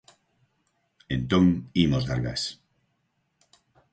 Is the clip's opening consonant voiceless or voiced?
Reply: voiced